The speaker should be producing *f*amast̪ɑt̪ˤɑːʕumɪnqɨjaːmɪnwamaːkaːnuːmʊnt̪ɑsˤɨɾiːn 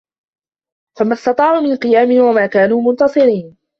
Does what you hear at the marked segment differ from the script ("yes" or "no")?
no